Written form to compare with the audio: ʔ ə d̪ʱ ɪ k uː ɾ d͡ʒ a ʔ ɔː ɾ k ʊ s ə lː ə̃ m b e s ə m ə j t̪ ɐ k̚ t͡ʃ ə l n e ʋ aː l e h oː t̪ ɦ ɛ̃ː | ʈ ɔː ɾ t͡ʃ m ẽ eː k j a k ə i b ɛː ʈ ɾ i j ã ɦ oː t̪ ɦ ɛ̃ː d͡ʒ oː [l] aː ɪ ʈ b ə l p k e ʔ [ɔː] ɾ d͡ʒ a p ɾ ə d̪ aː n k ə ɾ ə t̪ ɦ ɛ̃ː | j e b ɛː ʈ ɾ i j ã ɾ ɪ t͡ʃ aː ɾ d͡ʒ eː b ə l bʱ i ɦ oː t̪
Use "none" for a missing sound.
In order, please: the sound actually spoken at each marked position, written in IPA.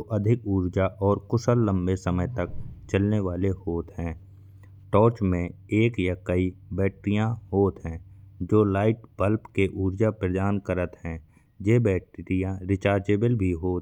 l, uː

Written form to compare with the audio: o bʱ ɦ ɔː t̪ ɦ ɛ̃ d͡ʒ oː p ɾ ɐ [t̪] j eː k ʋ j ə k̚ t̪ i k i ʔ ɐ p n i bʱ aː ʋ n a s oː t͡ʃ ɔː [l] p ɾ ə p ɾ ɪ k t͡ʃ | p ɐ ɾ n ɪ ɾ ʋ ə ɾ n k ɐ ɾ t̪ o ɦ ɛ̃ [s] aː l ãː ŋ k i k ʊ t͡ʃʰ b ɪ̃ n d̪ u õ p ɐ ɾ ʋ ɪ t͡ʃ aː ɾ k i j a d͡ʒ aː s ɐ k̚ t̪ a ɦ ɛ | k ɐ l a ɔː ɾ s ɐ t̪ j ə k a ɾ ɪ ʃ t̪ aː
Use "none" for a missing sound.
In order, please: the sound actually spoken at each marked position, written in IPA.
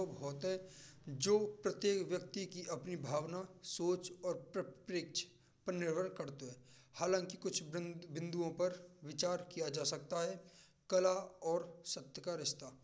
t̪, ɾ, h

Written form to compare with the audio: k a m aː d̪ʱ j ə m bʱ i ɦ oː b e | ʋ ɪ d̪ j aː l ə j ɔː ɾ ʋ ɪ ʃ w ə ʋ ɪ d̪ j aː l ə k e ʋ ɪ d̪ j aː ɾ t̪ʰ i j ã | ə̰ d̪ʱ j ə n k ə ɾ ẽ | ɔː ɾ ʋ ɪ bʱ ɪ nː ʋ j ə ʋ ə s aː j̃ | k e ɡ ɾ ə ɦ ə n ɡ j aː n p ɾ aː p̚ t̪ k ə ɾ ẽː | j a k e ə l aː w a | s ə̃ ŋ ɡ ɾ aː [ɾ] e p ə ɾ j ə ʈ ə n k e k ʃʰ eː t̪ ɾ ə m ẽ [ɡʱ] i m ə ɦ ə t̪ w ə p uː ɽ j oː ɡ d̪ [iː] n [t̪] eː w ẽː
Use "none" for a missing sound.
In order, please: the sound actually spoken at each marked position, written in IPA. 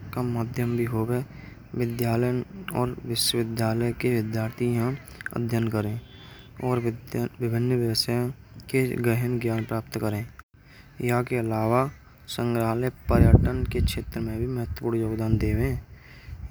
l, bʱ, aː, d̪

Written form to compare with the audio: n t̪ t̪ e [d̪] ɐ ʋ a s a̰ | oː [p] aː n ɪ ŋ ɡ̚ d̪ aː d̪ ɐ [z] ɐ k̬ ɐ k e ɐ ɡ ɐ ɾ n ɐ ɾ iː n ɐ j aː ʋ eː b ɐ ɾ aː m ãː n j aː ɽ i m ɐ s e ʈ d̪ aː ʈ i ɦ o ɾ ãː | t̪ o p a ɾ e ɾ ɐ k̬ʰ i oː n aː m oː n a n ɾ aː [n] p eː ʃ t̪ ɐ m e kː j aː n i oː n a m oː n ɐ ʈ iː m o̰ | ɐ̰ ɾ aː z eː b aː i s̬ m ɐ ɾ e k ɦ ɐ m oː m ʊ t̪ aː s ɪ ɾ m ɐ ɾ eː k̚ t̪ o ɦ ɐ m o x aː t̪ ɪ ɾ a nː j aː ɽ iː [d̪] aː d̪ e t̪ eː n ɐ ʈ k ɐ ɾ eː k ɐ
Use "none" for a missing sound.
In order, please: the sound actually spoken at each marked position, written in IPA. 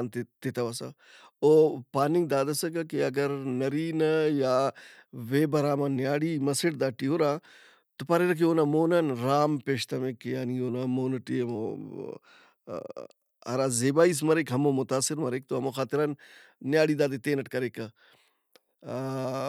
t̪, p, s, m, d̪

